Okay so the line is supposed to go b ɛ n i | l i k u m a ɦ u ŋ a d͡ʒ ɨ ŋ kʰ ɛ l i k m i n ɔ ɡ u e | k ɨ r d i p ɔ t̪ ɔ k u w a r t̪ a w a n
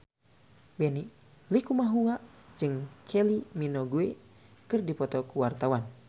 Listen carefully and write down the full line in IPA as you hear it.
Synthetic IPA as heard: b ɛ n i | l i k u m a ɦ u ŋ a d͡ʒ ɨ ŋ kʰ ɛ l i m i n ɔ ɡ u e | k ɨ r d i p ɔ t̪ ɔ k u w a r t̪ a w a n